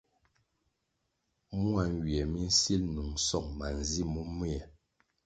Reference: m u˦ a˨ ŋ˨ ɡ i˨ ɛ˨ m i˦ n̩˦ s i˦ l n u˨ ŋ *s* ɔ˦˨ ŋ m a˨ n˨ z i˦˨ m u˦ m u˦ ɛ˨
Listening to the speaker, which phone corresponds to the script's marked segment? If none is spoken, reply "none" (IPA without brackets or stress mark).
s